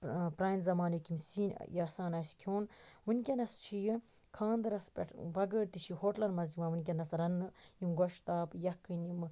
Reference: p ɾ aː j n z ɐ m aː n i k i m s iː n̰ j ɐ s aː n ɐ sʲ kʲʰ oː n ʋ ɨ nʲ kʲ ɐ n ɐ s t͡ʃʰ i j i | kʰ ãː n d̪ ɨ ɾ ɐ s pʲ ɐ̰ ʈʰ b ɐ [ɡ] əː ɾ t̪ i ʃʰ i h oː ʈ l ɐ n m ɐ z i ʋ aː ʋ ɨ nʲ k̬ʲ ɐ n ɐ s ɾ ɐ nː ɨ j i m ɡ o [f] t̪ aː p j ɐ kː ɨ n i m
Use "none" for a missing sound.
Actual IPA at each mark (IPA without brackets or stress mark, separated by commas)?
ɡ, ʃ